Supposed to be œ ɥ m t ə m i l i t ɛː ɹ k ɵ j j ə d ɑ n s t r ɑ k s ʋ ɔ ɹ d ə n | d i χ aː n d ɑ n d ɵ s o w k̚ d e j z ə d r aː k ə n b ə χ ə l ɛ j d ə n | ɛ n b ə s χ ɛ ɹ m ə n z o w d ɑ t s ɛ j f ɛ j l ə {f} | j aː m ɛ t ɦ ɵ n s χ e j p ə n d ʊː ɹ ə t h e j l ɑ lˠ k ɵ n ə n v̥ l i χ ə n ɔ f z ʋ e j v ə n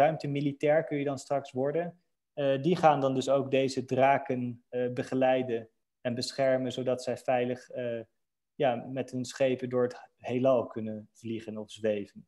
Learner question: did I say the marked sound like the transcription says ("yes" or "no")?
no